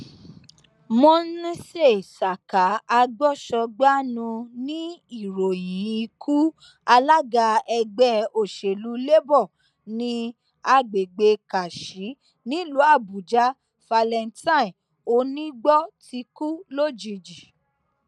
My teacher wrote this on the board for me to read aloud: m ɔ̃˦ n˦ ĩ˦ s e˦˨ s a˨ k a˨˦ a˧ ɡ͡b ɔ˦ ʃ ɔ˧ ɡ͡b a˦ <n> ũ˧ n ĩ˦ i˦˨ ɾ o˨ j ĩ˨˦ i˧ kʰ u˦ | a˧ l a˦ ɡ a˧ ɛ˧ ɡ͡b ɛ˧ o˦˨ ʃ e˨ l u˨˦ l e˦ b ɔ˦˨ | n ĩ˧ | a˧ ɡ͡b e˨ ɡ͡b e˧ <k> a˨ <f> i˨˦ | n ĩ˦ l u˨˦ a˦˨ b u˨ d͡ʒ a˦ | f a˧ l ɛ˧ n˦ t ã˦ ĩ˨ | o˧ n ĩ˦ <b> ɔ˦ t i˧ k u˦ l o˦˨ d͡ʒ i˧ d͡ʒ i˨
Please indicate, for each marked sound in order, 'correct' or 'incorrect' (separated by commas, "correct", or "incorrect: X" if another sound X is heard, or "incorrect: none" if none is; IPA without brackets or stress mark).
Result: correct, correct, incorrect: ʃ, incorrect: ɡ͡b